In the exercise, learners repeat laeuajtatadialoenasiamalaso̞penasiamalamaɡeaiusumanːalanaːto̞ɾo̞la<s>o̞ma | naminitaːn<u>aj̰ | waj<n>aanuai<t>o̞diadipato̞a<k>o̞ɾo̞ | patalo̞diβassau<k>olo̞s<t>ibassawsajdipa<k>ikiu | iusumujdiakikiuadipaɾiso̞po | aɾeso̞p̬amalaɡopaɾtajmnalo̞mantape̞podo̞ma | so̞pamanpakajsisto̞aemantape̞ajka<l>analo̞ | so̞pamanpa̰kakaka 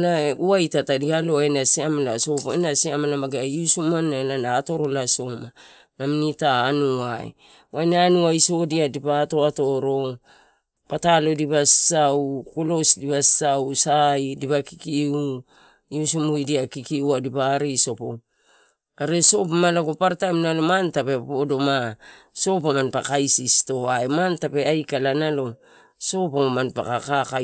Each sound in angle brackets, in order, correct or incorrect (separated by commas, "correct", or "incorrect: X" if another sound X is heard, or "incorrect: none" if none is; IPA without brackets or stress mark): correct, correct, correct, incorrect: s, incorrect: t, correct, incorrect: d, correct, correct